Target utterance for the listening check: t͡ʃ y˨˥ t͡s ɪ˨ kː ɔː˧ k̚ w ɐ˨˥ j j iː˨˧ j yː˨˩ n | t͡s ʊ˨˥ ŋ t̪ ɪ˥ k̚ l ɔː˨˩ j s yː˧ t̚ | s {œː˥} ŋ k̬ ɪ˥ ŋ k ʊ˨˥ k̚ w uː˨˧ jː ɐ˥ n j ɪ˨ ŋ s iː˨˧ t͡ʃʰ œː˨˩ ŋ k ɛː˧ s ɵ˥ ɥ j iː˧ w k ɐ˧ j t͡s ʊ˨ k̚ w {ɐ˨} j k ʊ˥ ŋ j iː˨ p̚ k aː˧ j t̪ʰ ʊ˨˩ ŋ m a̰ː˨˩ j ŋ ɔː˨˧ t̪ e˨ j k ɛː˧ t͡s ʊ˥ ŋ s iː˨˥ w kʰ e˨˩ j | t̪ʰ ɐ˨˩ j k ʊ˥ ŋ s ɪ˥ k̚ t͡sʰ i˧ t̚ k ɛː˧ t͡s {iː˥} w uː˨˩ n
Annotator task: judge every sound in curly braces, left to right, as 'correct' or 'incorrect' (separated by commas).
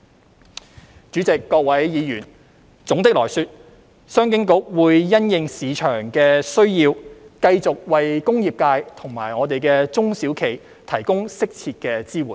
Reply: correct, correct, correct